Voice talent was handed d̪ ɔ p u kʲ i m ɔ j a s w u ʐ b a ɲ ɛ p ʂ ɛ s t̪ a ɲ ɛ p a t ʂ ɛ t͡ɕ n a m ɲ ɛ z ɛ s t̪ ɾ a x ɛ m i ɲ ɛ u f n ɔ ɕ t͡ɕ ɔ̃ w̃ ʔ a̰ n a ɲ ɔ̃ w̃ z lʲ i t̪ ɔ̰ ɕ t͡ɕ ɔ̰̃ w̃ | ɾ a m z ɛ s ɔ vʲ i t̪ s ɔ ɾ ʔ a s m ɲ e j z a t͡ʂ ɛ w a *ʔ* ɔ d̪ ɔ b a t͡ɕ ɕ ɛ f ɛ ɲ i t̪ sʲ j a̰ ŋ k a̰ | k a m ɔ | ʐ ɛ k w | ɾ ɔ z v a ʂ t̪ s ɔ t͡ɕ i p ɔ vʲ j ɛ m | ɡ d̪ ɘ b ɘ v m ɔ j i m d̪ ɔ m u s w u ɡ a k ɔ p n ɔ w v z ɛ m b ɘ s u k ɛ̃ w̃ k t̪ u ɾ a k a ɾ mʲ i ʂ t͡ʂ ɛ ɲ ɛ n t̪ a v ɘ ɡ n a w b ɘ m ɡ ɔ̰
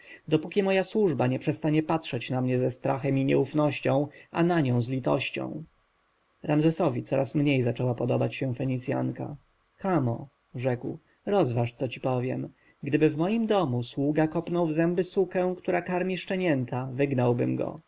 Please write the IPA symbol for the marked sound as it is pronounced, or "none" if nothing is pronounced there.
p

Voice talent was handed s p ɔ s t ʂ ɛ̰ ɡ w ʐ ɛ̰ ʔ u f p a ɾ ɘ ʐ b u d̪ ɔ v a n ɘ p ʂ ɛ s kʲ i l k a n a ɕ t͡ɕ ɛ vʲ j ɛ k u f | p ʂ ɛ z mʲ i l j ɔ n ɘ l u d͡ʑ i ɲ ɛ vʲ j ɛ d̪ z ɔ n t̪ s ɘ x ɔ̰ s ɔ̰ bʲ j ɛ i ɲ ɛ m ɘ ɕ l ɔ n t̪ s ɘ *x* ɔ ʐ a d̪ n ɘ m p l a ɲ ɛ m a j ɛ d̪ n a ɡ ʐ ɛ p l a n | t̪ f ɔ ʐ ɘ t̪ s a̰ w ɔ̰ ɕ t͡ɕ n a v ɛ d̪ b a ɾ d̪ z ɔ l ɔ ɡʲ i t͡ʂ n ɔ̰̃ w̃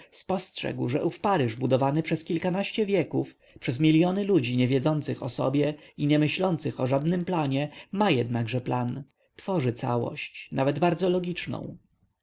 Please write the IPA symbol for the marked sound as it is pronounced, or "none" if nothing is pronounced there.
x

